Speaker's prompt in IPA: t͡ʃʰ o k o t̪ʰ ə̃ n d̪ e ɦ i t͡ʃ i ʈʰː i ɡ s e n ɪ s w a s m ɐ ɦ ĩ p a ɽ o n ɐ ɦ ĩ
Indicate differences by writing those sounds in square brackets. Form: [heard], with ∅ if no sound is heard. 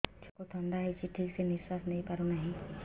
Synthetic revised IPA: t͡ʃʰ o k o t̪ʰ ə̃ n d̪ [a] ɦ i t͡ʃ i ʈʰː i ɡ s e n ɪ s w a s [n] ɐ ɦ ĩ p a [ɾ] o n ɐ ɦ ĩ